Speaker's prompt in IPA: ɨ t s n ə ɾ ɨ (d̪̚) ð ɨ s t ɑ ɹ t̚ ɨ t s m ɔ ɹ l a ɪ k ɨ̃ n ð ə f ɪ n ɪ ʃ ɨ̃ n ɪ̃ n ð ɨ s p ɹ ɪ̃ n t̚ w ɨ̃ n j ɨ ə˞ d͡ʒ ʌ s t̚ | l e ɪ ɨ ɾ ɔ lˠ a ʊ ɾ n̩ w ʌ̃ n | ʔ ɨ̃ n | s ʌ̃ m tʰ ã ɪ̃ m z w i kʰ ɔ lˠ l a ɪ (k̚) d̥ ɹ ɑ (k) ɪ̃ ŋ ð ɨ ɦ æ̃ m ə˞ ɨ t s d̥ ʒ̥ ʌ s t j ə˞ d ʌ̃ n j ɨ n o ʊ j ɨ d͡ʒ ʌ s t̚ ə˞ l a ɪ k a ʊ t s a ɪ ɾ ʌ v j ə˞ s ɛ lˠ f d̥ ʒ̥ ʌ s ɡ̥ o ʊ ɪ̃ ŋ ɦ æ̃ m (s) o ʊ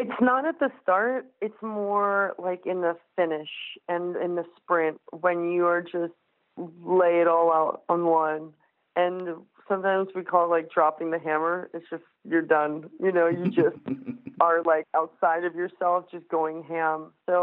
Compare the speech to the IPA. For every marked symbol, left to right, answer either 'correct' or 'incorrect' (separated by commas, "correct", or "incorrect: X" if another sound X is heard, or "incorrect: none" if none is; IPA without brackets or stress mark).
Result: incorrect: t̪̚, correct, incorrect: p, correct